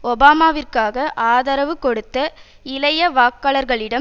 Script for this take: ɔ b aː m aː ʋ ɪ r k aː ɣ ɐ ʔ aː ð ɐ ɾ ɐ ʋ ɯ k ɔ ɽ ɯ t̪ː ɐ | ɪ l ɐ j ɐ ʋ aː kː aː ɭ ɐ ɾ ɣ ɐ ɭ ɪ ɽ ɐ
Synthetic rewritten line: ɔ b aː m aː ʋ ɪ r k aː ɣ ɐ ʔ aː ð ɐ ɾ ɐ ʋ ɯ k ɔ ɽ ɯ t̪ː ɐ | ɪ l ɐ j ɐ ʋ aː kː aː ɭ ɐ ɾ ɣ ɐ ɭ ɪ ɽ ɐ